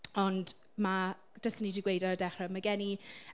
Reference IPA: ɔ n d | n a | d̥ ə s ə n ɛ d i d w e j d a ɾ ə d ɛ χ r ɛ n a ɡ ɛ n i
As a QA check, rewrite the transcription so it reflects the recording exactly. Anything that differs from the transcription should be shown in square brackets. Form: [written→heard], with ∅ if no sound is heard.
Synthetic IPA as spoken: ɔ n d | [n→m] a | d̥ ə s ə n [ɛ→i] d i [d→ɡ] w e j d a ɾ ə d ɛ χ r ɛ [n→m] a ɡ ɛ n i